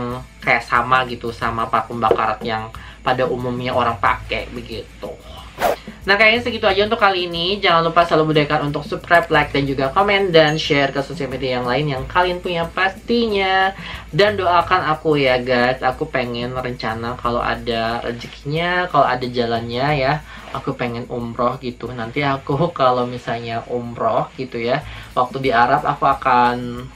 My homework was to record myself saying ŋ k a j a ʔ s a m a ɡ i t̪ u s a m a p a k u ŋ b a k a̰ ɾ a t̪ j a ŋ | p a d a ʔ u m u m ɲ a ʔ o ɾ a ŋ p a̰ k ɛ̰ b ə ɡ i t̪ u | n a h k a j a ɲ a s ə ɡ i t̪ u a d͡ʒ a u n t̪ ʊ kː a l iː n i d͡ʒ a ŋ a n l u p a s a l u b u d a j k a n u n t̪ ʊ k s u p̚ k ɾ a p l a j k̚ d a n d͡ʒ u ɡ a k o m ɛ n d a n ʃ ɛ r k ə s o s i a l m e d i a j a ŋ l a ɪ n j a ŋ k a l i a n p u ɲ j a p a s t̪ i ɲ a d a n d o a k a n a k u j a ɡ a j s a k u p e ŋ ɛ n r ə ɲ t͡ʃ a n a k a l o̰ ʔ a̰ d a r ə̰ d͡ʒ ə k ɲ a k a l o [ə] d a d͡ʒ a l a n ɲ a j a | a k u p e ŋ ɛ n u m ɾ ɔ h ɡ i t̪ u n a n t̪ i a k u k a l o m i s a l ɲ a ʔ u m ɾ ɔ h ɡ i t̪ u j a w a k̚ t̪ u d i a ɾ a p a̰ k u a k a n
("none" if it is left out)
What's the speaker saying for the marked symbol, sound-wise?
a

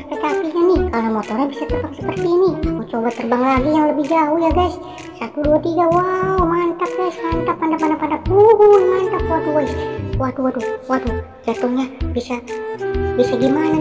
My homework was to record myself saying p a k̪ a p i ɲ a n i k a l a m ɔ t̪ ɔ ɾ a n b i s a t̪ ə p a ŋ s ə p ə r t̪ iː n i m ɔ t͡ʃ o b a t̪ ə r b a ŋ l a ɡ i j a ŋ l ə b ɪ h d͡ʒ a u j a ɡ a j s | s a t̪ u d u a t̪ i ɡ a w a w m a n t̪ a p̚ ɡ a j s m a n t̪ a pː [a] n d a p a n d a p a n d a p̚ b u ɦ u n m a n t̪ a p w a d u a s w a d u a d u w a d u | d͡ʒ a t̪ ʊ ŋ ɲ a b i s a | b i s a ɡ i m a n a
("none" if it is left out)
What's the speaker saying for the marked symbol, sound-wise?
a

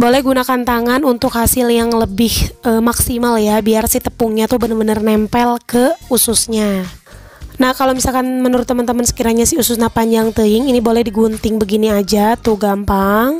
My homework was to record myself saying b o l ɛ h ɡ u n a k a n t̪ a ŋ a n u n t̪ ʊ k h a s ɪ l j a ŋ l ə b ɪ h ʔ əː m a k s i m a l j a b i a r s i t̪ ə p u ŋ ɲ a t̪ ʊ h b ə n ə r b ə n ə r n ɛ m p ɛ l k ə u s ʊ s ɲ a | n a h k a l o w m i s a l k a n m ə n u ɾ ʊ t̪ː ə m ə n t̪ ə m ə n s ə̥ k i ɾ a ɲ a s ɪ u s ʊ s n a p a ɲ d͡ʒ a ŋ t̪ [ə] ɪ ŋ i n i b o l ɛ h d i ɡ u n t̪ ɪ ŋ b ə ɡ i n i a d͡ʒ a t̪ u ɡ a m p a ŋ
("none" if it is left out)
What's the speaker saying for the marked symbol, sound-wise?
ə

